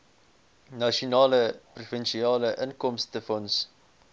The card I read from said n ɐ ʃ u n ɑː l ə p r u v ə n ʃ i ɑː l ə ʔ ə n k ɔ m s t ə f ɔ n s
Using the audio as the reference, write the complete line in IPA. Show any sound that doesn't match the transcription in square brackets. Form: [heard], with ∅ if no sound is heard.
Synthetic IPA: n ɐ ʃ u n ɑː l ə p r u [f] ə n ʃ i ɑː l ə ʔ ə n k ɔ m s t ə f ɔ n s